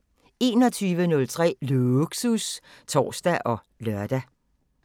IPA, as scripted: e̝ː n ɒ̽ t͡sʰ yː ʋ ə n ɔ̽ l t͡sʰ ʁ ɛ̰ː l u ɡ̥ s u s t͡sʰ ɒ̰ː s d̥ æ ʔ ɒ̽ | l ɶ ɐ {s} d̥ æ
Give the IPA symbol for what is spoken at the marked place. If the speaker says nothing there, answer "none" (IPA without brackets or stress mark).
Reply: none